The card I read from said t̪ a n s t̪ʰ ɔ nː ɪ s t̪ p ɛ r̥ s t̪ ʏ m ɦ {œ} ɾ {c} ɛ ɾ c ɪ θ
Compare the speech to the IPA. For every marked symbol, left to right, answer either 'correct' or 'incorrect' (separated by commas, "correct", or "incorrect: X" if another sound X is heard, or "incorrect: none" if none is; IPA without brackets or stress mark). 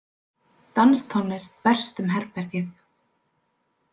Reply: incorrect: ɛ, incorrect: p